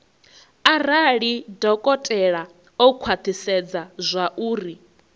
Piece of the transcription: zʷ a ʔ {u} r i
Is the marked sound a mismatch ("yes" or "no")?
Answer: yes